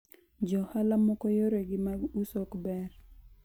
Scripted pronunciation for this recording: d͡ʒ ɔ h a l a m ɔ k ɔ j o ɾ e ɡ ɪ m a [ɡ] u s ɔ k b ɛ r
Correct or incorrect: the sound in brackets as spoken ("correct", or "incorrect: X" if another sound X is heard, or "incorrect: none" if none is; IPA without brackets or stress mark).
correct